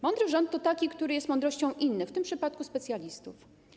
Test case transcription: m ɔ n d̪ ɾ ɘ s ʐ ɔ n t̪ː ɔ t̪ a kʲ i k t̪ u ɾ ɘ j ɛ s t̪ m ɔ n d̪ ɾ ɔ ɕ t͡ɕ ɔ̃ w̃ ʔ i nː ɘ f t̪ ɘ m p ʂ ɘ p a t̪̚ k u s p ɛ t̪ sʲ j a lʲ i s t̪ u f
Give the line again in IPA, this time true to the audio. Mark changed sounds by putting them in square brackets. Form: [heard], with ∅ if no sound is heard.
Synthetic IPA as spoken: m ɔ n d̪ ɾ ɘ [∅] ʐ ɔ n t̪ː ɔ t̪ a kʲ i k t̪ u ɾ ɘ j ɛ s t̪ m ɔ n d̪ ɾ ɔ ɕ t͡ɕ ɔ̃ w̃ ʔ i nː ɘ f t̪ ɘ m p ʂ ɘ p a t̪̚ k u s p ɛ t̪ sʲ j a lʲ i s t̪ u f